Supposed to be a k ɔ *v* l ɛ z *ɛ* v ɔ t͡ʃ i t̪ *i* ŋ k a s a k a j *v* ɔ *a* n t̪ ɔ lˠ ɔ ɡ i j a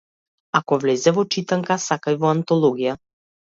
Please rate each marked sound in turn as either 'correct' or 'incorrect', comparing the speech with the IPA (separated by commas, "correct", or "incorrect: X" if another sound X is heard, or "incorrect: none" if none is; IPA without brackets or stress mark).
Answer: correct, correct, incorrect: a, correct, correct